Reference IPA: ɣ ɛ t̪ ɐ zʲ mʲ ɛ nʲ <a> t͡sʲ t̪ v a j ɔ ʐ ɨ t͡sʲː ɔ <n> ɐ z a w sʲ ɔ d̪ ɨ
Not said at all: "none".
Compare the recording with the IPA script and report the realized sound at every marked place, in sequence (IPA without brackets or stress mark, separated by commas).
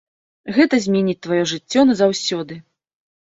i, n